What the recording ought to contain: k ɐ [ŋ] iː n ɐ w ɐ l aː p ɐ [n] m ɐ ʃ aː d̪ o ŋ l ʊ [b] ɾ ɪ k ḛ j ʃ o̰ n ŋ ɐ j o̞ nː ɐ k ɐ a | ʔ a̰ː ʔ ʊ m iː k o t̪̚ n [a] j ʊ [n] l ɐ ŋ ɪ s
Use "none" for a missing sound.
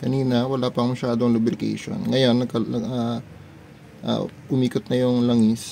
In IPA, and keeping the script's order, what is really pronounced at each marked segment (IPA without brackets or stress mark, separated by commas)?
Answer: n, ŋ, b, ɐ, ŋ